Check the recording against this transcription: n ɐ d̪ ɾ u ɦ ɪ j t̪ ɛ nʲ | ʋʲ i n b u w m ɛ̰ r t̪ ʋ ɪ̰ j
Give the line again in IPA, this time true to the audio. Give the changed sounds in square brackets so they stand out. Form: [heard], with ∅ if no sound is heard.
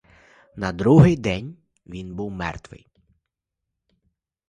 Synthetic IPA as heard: n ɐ d̪ ɾ u ɦ ɪ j [d̪] ɛ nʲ | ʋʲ i n b u w m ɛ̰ r t̪ ʋ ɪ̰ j